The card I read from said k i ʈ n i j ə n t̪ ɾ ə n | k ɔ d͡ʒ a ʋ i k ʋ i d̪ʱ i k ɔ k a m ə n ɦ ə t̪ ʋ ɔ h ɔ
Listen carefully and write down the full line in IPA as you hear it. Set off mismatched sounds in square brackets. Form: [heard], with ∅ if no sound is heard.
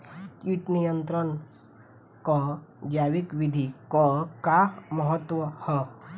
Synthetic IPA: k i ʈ n i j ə n t̪ ɾ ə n | k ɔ d͡ʒ a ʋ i k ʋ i d̪ʱ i k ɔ k a m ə [∅] ɦ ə t̪ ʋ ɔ h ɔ